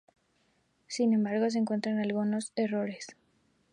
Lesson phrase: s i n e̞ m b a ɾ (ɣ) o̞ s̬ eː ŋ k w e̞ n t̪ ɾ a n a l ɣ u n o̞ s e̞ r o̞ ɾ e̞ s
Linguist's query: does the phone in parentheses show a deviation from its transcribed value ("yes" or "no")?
no